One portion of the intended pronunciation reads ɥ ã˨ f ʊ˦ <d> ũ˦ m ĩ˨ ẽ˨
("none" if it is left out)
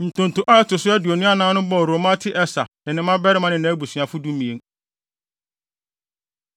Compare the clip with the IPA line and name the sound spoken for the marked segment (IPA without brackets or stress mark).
d